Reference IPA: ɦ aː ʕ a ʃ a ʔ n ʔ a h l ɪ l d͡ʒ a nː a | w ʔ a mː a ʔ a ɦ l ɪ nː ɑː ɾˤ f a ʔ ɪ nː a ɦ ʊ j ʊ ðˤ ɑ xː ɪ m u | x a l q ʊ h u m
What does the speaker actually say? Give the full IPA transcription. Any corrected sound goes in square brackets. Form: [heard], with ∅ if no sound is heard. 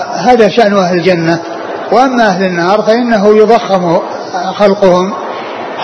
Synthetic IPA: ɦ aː [ð] a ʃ a ʔ n ʔ a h l ɪ l d͡ʒ a nː a | w ʔ a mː a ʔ a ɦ l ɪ nː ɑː ɾˤ f a ʔ ɪ nː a ɦ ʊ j ʊ ðˤ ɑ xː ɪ m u | x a l q ʊ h [ʊ] m